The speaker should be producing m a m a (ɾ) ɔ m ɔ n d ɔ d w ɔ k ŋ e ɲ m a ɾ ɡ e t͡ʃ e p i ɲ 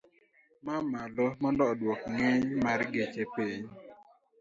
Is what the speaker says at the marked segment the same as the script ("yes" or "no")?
no